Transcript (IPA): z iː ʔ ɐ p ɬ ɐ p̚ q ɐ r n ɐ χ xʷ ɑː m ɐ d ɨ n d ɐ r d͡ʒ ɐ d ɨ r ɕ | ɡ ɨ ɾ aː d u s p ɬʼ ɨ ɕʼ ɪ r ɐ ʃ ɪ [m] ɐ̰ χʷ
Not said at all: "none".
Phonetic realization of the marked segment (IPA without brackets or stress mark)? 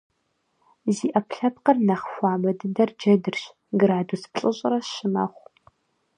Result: m